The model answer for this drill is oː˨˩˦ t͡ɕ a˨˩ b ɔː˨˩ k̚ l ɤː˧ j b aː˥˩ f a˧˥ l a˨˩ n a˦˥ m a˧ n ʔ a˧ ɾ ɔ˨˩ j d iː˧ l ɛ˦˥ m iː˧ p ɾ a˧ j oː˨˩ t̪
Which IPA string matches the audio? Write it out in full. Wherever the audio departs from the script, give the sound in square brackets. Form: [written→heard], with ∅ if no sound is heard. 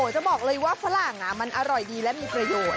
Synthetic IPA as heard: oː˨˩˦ t͡ɕ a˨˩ b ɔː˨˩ k̚ l ɤː˧ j [b→w] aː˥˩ f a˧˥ l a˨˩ [n→ŋ] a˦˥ m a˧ n ʔ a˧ ɾ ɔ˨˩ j d iː˧ l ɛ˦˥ m iː˧ p ɾ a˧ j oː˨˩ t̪